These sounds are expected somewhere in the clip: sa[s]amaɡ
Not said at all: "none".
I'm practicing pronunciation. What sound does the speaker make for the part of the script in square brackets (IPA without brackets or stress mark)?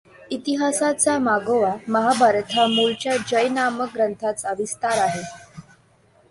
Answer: t͡s